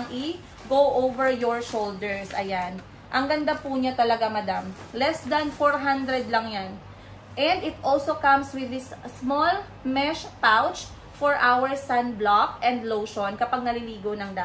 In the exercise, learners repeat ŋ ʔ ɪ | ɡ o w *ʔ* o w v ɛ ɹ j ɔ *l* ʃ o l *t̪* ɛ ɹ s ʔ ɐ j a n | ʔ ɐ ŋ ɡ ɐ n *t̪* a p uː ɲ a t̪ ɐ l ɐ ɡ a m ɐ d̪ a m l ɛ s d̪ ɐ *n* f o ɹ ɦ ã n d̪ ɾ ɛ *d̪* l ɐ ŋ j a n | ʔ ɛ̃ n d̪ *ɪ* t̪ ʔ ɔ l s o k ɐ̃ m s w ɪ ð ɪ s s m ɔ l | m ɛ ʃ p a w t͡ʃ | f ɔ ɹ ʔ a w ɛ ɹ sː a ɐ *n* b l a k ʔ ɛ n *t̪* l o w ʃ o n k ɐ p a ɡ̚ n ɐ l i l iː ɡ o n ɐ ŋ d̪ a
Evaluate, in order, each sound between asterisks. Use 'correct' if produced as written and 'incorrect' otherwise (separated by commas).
correct, incorrect, incorrect, incorrect, correct, correct, correct, correct, incorrect